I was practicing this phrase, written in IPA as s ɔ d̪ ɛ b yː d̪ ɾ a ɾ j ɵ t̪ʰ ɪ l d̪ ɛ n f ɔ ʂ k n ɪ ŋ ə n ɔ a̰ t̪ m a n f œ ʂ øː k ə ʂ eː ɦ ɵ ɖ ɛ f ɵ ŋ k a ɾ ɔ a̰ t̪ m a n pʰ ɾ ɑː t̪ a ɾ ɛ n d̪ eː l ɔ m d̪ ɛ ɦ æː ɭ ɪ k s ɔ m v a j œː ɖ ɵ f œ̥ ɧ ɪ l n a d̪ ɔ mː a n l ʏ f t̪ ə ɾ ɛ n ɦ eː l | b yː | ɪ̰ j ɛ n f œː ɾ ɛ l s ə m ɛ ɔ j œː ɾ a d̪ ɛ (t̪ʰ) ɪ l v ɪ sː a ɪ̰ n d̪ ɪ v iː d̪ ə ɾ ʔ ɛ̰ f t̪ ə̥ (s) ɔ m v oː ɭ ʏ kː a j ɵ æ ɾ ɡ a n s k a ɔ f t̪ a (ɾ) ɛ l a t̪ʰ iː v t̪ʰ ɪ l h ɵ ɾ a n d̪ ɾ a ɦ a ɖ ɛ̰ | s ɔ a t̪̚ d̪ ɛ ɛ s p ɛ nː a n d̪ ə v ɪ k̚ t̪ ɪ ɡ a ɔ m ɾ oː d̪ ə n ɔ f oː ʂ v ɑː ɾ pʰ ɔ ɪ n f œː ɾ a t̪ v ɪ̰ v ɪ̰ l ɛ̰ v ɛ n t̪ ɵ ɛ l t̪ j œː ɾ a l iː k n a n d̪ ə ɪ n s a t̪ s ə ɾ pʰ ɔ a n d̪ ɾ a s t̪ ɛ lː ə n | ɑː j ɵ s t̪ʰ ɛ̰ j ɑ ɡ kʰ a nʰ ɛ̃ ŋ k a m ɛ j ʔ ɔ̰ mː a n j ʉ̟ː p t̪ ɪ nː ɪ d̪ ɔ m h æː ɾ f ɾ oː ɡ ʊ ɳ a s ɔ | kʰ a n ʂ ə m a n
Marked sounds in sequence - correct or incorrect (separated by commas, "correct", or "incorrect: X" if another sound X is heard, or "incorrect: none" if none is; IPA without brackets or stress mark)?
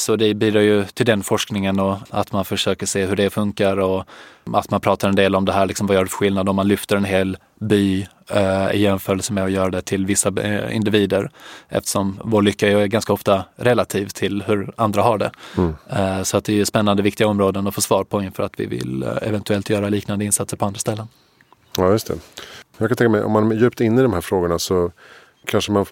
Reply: correct, incorrect: ʂ, correct